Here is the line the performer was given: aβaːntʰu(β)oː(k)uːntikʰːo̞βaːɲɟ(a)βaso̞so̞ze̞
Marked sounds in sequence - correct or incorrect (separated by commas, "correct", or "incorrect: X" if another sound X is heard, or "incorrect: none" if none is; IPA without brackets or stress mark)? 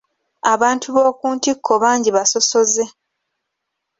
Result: correct, correct, incorrect: i